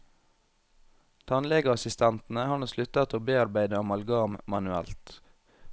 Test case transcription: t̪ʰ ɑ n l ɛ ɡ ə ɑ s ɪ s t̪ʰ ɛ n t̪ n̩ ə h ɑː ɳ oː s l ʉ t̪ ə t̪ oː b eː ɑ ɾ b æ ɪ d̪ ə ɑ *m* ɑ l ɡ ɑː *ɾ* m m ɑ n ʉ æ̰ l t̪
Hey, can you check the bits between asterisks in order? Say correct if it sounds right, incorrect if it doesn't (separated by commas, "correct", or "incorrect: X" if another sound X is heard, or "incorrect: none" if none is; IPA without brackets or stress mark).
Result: correct, incorrect: none